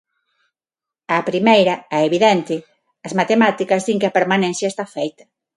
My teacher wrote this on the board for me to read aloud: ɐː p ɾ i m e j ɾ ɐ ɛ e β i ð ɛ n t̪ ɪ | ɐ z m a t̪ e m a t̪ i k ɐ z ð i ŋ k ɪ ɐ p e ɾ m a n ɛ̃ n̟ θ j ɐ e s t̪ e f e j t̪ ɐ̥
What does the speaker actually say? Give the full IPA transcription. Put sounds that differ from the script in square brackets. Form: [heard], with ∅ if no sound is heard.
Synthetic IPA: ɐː p ɾ i m e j ɾ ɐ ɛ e β i ð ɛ n t̪ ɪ | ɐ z m a t̪ e m a t̪ i k ɐ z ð i ŋ k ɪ ɐ p e ɾ m a n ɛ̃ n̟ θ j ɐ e s t̪ [a] f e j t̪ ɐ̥